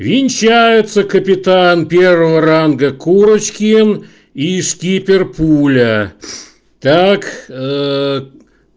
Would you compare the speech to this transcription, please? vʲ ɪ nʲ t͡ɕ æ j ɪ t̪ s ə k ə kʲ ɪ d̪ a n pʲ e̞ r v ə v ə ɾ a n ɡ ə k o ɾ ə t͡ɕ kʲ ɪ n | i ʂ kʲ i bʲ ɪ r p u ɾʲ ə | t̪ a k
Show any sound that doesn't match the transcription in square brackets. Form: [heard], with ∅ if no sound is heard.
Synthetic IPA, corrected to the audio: vʲ ɪ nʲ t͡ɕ æ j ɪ t̪ s ə k ə [pʲ] ɪ [t̪] a n pʲ e̞ r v ə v ə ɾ a n ɡ ə k [u] ɾ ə t͡ɕ kʲ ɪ n | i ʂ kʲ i [pʲ] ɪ r p u [lʲ] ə | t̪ a k